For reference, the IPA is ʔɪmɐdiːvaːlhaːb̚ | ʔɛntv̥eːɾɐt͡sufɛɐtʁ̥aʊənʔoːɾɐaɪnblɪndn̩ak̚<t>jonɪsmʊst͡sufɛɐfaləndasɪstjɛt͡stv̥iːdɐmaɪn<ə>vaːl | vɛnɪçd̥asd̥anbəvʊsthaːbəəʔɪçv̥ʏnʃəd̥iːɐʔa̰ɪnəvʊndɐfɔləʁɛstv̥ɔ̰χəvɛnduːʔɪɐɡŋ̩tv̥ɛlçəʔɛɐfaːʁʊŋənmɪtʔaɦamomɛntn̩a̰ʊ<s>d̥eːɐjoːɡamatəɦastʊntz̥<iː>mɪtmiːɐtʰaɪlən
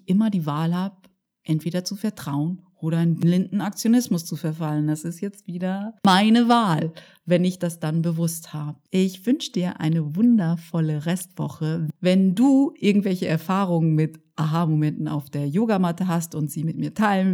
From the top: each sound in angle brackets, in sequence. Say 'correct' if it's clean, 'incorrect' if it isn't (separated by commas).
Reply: incorrect, correct, incorrect, correct